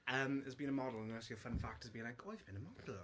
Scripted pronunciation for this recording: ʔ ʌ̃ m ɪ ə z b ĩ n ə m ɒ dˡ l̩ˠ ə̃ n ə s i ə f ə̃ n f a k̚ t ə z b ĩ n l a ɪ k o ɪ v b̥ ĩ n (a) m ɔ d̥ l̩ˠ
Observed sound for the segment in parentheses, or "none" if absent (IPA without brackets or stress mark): ə